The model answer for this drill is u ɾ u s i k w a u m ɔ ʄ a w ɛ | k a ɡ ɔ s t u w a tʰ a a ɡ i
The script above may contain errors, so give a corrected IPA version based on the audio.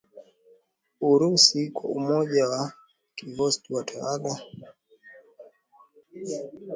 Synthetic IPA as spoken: u ɾ u s i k w a u m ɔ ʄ a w a | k i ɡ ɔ s t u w a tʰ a a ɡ a